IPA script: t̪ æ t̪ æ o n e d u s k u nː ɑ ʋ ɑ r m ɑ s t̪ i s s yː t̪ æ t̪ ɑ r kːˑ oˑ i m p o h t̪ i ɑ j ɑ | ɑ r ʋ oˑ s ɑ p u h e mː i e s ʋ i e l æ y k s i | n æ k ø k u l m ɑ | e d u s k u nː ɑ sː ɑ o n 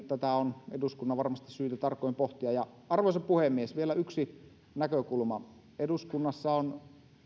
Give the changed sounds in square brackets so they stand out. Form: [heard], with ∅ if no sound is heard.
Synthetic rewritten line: t̪ æ t̪ æ o n e d u s k u nː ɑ ʋ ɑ r m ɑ s t̪ i s s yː t̪ æ t̪ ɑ r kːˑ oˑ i m p o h t̪ i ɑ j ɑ | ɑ r ʋ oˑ s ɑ p u h e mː i e s ʋ i e l æ y k s i | n æ k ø k u l m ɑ | e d u s k u nː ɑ sː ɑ o n